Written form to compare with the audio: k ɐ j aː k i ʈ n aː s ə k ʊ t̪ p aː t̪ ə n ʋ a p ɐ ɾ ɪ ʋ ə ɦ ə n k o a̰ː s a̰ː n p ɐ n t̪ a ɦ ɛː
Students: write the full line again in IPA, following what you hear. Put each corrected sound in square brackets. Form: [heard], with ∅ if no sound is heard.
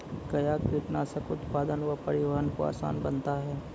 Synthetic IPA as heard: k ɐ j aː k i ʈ n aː s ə k ʊ t̪ p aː [d̪] ə n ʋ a p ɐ ɾ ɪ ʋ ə ɦ ə n k o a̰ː s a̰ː n [b] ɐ n t̪ a ɦ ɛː